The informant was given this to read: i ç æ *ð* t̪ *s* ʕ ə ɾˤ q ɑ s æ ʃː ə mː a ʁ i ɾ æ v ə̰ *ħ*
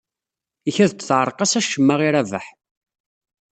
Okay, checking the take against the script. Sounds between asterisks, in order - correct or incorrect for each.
correct, incorrect: θ, correct

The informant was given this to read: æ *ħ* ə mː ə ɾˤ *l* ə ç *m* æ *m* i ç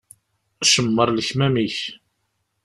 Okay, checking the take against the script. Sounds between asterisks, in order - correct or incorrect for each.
incorrect: ʃ, correct, correct, correct

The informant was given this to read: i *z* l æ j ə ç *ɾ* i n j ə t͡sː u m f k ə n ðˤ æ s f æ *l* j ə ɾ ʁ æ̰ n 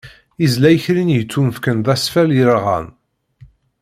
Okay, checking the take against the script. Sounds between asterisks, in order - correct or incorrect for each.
correct, correct, correct

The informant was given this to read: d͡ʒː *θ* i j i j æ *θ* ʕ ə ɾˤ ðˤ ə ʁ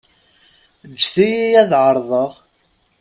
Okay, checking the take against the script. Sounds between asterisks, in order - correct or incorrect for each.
correct, incorrect: ð

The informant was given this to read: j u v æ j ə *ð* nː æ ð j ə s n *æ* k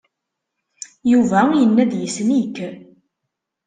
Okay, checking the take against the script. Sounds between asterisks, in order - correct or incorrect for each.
incorrect: none, incorrect: i

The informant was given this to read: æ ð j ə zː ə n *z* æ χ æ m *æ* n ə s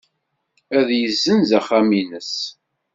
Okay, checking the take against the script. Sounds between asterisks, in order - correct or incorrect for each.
correct, incorrect: i

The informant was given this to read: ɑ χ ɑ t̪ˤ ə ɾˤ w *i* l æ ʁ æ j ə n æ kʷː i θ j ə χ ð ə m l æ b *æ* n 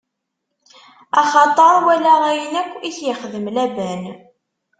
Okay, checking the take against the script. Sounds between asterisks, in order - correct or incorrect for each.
incorrect: æ, correct

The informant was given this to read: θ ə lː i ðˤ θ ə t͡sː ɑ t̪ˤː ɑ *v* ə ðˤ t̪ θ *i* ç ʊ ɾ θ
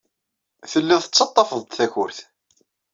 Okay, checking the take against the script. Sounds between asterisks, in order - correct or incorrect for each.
incorrect: f, incorrect: æ

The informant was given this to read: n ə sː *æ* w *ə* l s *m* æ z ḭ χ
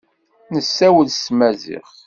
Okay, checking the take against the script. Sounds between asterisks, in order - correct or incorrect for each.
correct, correct, correct

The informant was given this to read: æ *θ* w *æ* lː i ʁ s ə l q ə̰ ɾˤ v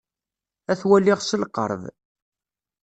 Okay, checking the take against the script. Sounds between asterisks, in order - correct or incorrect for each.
correct, correct

